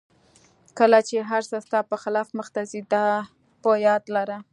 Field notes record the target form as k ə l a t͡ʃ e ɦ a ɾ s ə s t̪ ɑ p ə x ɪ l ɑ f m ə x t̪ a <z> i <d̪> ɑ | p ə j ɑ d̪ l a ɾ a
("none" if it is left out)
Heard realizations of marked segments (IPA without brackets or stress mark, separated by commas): z, d̪